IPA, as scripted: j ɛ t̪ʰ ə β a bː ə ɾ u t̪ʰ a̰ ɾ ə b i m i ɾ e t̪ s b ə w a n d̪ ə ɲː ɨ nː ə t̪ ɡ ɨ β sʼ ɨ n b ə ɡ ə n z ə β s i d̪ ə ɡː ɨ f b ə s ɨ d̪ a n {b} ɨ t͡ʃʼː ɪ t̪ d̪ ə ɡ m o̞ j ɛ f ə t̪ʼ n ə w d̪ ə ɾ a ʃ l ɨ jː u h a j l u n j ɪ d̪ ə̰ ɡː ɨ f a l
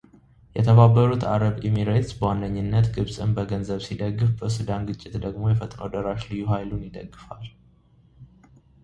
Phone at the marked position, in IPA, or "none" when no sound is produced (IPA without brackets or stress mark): ɡ